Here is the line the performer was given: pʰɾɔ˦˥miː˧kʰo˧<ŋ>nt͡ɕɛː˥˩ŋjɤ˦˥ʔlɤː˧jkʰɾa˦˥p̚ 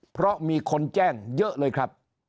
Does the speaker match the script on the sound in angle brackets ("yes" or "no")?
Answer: no